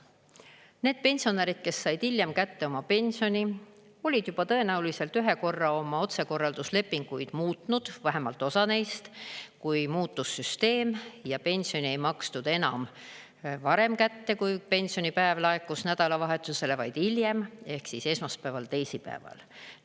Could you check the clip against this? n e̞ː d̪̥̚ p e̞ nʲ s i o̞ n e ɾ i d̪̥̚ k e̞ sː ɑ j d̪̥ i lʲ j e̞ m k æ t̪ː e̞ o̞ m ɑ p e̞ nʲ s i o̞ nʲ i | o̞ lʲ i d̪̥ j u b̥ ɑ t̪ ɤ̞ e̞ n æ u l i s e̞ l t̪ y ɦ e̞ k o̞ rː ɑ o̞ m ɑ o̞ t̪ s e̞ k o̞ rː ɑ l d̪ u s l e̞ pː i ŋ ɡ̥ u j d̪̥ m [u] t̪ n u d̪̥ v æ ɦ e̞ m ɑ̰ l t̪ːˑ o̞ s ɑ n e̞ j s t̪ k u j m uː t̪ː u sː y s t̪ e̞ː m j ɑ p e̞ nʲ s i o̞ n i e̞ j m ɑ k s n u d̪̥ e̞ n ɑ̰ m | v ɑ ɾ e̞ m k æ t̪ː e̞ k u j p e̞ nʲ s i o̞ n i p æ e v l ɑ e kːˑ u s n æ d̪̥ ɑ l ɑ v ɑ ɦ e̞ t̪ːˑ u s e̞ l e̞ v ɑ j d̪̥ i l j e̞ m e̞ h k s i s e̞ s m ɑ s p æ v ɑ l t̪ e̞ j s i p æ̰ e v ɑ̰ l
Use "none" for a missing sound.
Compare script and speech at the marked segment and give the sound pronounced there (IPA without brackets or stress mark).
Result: uː